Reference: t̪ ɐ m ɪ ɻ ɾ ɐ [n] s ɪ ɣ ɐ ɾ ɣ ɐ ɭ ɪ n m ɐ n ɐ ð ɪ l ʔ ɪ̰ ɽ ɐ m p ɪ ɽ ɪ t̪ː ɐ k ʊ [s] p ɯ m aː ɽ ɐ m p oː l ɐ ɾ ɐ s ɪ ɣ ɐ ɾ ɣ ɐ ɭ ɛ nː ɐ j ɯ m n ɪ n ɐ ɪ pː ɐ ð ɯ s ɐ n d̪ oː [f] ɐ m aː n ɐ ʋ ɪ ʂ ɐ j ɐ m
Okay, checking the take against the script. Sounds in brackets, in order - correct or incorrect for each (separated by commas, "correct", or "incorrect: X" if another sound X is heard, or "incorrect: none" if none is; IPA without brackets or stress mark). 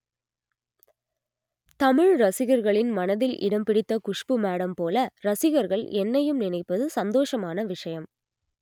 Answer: incorrect: none, incorrect: ʂ, incorrect: ʂ